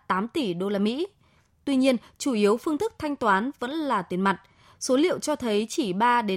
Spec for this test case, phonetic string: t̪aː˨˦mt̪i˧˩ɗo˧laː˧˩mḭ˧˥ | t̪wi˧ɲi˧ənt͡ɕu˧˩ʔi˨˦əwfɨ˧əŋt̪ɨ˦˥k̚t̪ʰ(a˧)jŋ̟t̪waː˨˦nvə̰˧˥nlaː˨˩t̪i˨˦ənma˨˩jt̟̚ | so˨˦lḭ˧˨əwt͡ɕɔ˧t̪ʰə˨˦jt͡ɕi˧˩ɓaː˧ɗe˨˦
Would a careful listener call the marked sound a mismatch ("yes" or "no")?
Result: no